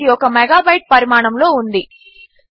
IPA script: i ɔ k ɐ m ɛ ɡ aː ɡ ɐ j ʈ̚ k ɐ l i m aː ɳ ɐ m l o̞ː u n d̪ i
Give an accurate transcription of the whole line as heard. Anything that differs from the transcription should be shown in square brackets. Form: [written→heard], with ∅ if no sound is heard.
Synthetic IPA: i ɔ k ɐ m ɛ ɡ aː [ɡ→b] ɐ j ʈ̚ [k→p] ɐ [l→ɾ] i m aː ɳ ɐ m l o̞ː u n d̪ i